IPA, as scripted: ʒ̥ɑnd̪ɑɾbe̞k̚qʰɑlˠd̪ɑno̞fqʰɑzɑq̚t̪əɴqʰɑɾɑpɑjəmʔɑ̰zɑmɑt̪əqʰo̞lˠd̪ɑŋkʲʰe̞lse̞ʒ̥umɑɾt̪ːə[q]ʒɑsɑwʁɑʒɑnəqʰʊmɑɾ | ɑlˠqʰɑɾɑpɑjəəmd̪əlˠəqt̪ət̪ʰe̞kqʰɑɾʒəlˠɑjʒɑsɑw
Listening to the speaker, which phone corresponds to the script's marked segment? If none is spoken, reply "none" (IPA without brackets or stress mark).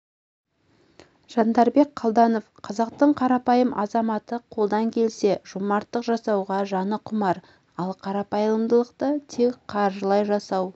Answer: q